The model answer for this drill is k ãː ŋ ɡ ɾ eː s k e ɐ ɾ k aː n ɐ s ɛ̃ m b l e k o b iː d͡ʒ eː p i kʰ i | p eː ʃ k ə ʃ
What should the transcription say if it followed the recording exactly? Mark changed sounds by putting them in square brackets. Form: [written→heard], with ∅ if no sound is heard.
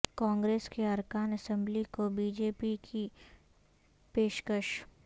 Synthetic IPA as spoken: k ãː ŋ ɡ ɾ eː s k e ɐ ɾ k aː n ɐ s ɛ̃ m b l [e→i] k o b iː d͡ʒ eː p i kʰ i | p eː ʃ k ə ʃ